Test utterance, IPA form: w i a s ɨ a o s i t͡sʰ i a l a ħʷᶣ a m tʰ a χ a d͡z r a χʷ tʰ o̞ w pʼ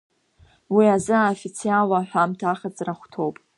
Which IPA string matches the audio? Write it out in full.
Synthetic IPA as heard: w i a z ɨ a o f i t͡sʰ i a l a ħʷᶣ a m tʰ a χ a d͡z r a χʷ tʰ o̞ w pʼ